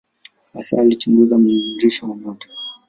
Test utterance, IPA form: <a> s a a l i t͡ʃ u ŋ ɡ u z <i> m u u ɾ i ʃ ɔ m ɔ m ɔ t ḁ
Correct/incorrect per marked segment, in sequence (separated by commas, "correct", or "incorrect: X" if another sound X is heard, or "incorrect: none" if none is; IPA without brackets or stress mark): correct, incorrect: a